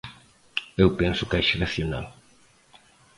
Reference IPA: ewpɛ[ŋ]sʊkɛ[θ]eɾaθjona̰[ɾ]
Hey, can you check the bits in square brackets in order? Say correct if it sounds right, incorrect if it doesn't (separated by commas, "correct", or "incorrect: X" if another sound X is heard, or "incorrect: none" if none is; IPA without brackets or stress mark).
incorrect: n, incorrect: ʃ, incorrect: l